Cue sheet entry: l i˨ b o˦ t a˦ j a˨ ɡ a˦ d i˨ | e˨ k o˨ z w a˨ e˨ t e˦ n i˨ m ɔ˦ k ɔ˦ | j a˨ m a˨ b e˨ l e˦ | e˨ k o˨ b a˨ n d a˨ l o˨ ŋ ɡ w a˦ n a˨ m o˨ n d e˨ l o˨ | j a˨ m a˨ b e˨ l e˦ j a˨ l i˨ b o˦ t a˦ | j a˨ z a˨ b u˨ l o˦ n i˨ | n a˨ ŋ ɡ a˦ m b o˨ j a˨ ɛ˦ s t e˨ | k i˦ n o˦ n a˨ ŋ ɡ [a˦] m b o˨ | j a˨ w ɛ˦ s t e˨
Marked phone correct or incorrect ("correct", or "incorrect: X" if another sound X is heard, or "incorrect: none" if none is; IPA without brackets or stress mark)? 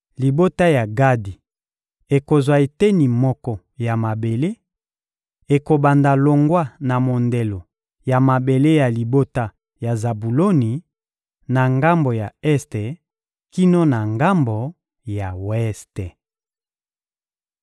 correct